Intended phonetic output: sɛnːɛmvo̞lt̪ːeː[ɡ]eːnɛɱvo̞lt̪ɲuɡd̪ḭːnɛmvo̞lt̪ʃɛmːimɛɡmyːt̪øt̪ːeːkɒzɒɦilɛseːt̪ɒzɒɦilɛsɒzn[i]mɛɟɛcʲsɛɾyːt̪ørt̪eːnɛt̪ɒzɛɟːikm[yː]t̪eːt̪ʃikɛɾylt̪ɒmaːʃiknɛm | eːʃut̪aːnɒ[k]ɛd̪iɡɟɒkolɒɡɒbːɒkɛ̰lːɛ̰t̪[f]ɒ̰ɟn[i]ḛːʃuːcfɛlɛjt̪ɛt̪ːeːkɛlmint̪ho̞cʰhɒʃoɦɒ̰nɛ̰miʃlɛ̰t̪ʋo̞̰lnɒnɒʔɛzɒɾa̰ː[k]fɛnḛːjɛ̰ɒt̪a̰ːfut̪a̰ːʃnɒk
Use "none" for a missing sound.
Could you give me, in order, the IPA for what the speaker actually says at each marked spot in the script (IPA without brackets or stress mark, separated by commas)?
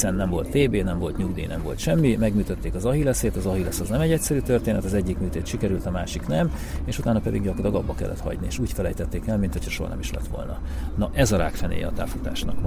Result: b, ɛ, yː, p, h, i, k